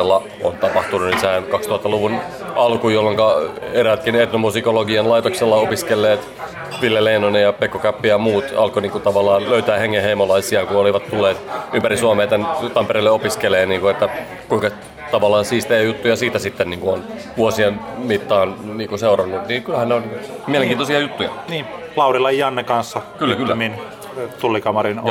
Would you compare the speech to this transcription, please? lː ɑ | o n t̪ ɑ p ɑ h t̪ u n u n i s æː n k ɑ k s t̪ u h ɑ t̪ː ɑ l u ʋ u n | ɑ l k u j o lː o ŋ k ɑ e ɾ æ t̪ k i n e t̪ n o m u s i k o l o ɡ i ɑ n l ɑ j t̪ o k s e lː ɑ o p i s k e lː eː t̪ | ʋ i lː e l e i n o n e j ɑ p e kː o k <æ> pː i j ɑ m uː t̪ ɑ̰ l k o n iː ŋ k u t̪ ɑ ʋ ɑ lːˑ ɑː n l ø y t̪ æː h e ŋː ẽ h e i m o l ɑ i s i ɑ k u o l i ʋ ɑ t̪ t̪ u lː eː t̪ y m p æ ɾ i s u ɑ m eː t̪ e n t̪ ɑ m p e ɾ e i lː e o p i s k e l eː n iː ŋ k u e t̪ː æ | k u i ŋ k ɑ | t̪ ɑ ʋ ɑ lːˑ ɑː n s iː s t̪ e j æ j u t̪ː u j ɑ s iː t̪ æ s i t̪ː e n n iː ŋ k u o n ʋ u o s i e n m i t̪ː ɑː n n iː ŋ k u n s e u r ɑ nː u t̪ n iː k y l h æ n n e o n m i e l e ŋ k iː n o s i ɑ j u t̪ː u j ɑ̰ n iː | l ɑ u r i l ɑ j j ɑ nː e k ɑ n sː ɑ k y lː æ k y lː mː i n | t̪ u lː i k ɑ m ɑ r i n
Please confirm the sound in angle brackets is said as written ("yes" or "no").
yes